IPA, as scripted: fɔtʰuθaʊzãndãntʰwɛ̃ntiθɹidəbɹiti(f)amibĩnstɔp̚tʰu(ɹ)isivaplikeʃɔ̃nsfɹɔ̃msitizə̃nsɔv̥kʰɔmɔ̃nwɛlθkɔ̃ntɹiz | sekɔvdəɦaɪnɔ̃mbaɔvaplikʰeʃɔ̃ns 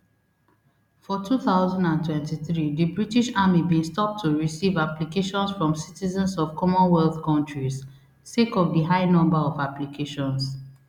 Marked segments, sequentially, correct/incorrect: incorrect, correct

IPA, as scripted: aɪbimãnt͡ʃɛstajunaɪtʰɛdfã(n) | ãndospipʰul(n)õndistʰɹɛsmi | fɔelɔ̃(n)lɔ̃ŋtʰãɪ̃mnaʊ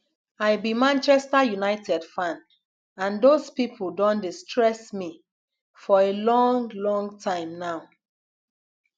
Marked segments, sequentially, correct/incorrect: correct, incorrect, incorrect

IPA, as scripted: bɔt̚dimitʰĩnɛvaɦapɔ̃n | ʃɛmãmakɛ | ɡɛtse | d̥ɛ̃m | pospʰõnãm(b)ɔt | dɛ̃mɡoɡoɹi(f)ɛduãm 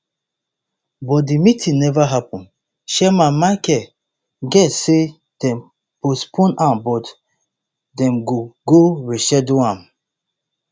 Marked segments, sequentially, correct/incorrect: correct, incorrect

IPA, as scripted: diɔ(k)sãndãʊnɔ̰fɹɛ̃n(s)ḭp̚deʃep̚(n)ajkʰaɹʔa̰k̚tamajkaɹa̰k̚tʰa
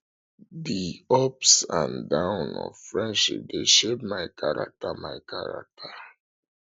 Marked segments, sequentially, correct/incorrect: incorrect, incorrect, incorrect

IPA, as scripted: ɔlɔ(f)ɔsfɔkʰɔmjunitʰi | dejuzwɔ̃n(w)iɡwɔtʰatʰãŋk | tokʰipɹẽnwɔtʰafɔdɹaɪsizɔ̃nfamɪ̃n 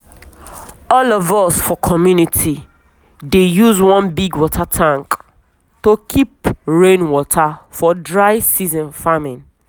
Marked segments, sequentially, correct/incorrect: incorrect, incorrect

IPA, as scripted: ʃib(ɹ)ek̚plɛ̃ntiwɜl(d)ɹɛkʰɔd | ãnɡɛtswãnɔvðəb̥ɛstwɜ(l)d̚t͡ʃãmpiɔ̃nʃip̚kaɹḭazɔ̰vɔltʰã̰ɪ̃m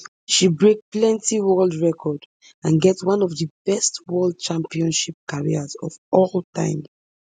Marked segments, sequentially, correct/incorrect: correct, correct, correct

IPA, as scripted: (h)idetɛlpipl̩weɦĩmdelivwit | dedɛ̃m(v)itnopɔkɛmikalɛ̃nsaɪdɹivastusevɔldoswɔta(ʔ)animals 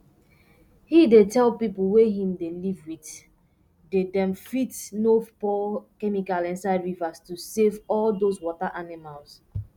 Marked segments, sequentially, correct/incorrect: correct, incorrect, correct

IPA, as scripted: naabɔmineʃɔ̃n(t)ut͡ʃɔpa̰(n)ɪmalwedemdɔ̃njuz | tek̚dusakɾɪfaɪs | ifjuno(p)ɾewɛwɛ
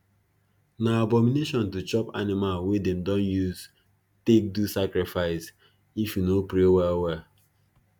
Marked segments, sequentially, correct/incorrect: correct, correct, correct

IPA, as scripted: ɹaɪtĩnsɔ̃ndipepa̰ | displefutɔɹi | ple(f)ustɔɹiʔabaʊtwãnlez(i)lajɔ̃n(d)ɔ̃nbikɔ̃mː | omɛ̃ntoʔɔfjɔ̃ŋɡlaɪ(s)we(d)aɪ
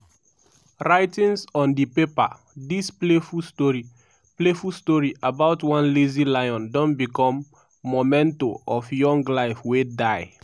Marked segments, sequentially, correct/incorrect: correct, correct, correct, incorrect, correct

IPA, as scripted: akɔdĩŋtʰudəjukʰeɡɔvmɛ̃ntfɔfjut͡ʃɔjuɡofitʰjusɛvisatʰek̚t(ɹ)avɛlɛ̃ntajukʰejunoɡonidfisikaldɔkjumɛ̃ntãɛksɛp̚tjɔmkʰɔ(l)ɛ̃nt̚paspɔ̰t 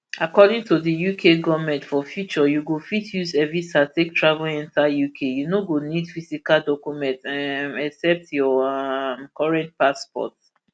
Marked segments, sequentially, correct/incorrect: correct, incorrect

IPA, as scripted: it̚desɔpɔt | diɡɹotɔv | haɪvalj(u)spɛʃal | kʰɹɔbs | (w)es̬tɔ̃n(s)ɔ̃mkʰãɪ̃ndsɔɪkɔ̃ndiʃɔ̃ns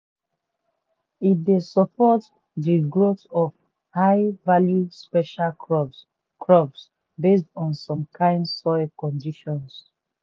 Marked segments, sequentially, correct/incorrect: correct, incorrect, correct

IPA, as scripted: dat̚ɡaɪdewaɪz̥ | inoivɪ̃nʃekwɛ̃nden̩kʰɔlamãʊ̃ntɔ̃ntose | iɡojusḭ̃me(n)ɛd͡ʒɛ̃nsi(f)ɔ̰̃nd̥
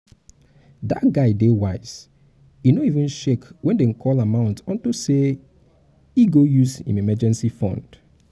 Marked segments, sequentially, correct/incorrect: incorrect, correct

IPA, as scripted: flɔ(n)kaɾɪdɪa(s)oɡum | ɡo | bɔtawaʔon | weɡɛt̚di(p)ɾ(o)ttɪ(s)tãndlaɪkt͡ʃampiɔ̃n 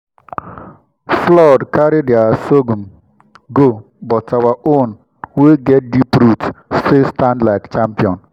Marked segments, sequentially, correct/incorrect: incorrect, correct, correct, incorrect, correct

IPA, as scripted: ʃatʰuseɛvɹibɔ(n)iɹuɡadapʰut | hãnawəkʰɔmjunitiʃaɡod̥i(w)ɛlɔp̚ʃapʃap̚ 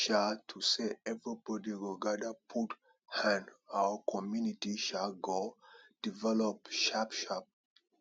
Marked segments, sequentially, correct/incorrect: incorrect, incorrect

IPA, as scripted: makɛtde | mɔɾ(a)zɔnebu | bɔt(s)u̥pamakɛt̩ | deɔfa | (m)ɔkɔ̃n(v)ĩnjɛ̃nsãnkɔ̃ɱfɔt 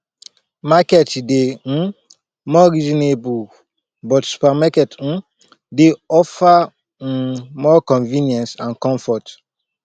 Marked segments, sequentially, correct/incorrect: incorrect, correct, correct, correct

